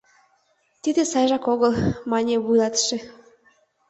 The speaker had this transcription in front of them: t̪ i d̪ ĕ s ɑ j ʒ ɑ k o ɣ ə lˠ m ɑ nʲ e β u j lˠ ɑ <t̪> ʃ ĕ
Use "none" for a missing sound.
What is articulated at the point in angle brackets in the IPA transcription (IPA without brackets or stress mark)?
t̪